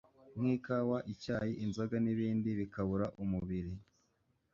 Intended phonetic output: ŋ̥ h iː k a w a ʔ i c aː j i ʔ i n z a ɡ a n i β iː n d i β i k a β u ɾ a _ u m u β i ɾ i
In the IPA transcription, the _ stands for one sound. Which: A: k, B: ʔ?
B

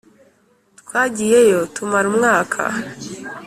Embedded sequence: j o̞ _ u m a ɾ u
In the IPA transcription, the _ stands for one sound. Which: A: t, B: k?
A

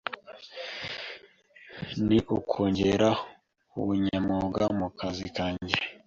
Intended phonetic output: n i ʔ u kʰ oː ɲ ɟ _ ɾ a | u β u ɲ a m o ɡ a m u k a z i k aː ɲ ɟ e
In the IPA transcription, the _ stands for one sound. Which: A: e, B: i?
A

